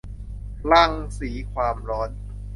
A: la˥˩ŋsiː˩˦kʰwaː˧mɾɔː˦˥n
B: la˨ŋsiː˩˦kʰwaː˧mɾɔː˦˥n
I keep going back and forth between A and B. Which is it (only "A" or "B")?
A